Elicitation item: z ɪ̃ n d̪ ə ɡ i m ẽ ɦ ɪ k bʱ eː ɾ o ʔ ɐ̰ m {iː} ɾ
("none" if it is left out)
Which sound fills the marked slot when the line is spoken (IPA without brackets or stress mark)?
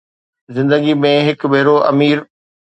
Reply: iː